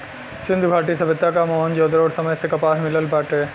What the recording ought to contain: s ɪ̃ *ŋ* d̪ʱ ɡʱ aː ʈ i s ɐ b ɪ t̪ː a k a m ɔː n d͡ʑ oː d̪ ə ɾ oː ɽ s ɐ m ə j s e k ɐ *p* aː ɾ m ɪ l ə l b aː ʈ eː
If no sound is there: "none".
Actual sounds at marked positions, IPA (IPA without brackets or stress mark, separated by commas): n, p